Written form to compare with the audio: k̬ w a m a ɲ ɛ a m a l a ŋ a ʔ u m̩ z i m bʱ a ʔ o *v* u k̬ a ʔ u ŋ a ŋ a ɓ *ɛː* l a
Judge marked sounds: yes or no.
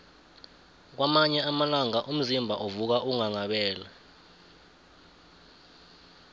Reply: yes, yes

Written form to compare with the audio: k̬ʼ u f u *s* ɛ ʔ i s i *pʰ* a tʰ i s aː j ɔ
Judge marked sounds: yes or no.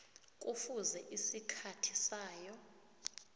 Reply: no, no

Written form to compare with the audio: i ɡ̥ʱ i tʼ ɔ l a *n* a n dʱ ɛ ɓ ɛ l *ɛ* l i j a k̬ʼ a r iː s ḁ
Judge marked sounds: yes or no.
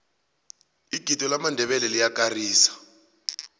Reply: no, yes

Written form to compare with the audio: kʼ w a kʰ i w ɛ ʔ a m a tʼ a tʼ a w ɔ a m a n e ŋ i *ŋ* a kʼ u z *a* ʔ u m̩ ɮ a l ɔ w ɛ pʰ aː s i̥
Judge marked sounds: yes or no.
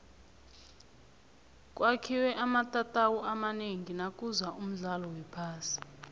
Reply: no, yes

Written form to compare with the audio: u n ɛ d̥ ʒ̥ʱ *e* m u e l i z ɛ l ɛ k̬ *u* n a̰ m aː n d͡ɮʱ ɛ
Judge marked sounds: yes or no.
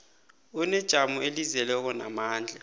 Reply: no, no

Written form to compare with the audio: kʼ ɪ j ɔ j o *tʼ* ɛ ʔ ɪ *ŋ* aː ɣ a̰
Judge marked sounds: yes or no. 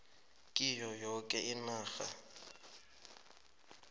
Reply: no, no

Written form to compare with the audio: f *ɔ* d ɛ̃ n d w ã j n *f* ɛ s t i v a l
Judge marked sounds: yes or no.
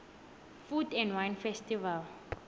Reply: no, yes

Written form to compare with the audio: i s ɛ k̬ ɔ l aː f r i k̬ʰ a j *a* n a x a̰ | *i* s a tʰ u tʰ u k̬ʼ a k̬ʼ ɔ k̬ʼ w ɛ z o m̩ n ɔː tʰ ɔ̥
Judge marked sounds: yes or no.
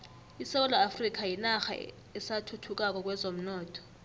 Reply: no, no

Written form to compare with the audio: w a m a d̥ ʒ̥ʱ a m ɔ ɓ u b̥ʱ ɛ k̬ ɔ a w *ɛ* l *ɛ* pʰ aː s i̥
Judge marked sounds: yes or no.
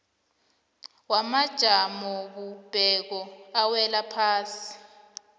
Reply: yes, no

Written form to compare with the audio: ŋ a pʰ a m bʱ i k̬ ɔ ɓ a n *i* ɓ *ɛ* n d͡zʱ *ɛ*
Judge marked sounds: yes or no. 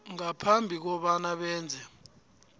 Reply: no, no, yes

